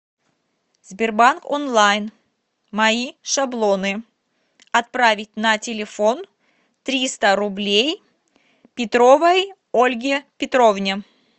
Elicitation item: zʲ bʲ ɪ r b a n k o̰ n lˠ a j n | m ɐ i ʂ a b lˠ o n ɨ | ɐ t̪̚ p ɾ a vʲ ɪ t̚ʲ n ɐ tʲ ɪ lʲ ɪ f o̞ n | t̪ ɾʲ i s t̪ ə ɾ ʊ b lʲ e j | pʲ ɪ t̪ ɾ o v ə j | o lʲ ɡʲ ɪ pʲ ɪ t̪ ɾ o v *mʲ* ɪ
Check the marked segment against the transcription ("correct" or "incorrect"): incorrect